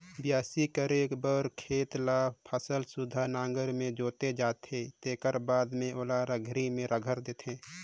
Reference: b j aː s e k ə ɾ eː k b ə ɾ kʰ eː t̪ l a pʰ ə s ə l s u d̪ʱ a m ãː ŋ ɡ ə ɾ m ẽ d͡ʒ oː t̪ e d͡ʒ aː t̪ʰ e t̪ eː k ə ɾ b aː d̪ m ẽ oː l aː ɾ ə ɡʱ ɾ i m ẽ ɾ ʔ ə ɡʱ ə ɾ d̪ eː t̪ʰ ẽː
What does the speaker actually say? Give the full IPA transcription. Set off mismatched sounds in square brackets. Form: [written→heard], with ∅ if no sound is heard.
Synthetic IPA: b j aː s [e→i] k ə ɾ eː k b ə ɾ kʰ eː t̪ l a pʰ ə s ə l s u d̪ʱ a [m→n] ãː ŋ ɡ ə ɾ m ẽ d͡ʒ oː t̪ e d͡ʒ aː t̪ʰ e t̪ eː k ə ɾ b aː d̪ m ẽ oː l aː ɾ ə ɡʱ ɾ i m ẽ ɾ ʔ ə ɡʱ ə ɾ d̪ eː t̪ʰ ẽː